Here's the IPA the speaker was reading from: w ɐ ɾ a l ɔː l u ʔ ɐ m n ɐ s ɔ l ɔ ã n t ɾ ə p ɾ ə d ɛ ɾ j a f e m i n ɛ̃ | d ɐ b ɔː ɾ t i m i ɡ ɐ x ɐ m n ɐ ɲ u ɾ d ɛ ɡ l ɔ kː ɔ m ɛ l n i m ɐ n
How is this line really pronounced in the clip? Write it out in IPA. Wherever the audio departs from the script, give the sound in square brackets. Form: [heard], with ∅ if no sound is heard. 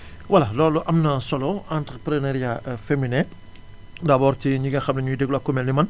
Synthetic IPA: w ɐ [l] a l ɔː l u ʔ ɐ m n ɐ s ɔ l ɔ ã n t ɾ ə p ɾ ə [n] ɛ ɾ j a f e m i n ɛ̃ | d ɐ b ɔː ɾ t i [ɲ] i ɡ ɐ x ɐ m n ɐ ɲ u [∅] d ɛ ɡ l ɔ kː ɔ m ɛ l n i m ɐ n